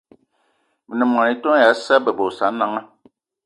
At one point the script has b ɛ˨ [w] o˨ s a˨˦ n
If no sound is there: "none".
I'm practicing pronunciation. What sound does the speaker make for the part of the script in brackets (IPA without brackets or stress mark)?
b